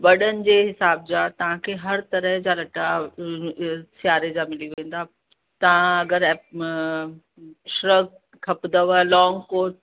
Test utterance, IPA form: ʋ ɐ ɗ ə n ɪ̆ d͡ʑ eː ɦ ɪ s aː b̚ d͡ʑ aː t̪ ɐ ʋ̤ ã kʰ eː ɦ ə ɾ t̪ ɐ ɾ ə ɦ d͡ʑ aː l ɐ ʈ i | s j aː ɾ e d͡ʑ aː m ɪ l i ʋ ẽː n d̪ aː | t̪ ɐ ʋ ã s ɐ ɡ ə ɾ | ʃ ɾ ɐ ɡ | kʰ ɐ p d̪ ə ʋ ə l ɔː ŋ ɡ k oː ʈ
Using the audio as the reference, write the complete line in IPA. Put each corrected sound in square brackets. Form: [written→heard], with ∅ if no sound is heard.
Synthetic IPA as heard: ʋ ɐ ɗ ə n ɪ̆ d͡ʑ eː ɦ ɪ s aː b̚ d͡ʑ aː t̪ ɐ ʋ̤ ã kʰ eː ɦ [ə→ɐ] ɾ t̪ ɐ ɾ ə ɦ d͡ʑ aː l ɐ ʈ [i→a] | s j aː ɾ e d͡ʑ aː m ɪ l i ʋ ẽː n d̪ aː | t̪ ɐ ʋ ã [s→∅] ɐ ɡ ə ɾ | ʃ ɾ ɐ ɡ | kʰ ɐ p d̪ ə ʋ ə l ɔː ŋ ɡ k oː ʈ